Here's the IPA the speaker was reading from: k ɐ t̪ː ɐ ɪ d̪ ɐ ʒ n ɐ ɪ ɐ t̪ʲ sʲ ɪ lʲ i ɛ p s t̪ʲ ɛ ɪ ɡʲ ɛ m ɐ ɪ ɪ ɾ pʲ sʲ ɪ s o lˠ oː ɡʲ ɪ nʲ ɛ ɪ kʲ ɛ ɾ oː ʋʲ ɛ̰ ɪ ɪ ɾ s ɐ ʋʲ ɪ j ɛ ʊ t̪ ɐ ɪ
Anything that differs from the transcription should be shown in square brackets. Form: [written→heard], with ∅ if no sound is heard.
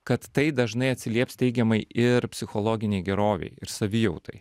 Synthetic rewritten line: k ɐ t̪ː ɐ ɪ d̪ ɐ ʒ n ɐ ɪ ɐ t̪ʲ sʲ ɪ lʲ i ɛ p s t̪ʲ ɛ ɪ ɡʲ ɛ m ɐ ɪ ɪ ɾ pʲ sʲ ɪ [s→x] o lˠ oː ɡʲ ɪ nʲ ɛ ɪ [kʲ→ɡʲ] ɛ ɾ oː ʋʲ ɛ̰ ɪ ɪ ɾ s ɐ ʋʲ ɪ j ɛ ʊ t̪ ɐ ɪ